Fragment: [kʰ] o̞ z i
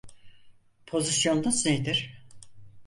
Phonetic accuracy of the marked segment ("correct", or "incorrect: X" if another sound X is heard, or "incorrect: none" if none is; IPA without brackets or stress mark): incorrect: pʰ